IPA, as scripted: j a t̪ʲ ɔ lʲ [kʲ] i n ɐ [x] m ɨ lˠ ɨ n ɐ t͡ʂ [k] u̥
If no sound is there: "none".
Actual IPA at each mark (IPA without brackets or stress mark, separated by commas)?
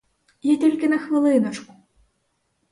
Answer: kʲ, x, k